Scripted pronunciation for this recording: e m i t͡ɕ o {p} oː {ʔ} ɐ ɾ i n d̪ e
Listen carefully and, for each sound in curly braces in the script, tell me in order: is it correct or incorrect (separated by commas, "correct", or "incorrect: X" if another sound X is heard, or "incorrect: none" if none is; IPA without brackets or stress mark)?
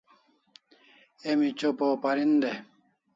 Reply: correct, incorrect: p